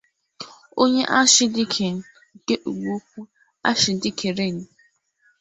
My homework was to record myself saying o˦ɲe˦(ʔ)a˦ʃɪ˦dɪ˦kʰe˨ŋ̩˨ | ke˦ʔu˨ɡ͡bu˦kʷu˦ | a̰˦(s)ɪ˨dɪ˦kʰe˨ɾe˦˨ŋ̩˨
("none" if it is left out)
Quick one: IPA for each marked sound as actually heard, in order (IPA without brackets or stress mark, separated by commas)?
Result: ʔ, ʃ